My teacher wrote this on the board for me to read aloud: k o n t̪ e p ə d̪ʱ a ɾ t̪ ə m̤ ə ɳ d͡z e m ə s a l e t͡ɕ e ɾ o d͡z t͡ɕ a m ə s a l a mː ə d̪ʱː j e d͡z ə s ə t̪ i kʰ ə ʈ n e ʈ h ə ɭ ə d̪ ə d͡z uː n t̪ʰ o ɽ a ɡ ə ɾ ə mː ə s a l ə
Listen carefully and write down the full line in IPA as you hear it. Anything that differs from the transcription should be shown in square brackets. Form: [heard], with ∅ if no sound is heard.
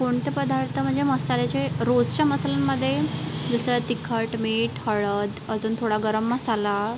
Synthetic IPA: k o [ɳ] t̪ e p ə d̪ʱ a ɾ t̪ ə m̤ ə ɳ d͡z e m ə s a l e t͡ɕ e ɾ o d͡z t͡ɕ a m ə s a l a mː ə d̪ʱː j e d͡z ə s ə t̪ i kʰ ə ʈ [m] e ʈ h ə ɭ ə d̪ ə d͡z uː n t̪ʰ o ɽ a ɡ ə ɾ ə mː ə s a l [a]